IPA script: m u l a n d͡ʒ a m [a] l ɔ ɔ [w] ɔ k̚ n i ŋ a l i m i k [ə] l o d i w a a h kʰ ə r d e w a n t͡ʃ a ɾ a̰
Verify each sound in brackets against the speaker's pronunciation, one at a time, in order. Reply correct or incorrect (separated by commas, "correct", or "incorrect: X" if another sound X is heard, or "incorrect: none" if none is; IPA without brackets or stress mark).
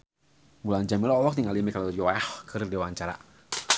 incorrect: i, correct, incorrect: a